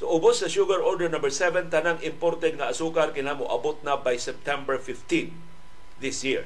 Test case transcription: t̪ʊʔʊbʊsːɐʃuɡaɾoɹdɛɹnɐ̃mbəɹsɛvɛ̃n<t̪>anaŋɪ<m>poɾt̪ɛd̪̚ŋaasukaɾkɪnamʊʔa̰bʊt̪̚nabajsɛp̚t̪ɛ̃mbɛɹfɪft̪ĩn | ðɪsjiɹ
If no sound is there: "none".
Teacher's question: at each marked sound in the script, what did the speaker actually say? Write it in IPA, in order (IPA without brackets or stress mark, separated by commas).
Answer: t̪, m